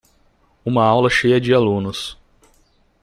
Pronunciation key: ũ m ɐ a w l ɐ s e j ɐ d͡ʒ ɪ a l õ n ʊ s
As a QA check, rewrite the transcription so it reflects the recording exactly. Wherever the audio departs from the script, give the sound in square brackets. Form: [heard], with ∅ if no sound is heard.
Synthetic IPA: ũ m ɐ a w l ɐ [ʃ] e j ɐ d͡ʒ ɪ a l [ũ] n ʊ s